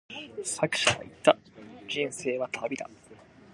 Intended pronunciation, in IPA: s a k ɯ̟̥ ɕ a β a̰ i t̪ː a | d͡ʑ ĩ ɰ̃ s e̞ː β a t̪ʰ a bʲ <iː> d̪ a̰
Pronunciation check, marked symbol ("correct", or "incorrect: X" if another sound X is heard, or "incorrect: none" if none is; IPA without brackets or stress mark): incorrect: i